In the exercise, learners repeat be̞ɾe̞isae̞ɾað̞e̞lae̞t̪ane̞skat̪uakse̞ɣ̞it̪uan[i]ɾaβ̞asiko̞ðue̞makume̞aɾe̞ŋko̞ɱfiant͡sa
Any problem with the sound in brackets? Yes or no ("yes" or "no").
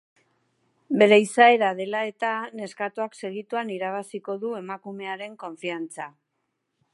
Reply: no